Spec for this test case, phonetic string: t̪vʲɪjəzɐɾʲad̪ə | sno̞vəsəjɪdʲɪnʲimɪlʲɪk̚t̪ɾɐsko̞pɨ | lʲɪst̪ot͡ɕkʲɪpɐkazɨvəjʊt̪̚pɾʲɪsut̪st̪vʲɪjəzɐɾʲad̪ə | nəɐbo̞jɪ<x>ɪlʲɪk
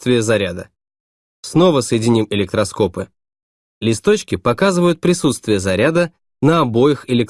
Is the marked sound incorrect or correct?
correct